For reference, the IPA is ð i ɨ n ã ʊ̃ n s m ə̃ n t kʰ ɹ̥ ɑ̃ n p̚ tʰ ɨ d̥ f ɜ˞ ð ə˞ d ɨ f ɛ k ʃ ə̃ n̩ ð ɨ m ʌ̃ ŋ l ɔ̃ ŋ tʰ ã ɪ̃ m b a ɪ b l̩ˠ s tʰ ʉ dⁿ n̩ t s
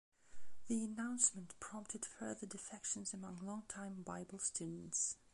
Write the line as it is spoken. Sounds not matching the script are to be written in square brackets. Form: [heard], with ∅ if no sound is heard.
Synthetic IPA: ð i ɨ n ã ʊ̃ n s m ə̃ n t [pʰ] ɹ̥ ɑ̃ [m] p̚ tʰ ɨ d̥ f ɜ˞ ð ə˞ d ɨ f ɛ k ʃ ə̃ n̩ [z] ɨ m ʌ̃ ŋ l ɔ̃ ŋ tʰ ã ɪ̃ m b a ɪ b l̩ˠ s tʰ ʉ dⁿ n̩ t s